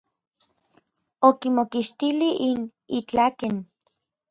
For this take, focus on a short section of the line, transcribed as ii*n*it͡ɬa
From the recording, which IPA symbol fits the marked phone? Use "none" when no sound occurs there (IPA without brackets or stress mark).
n